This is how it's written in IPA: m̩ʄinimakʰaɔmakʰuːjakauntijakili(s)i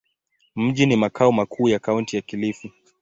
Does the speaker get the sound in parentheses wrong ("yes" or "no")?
yes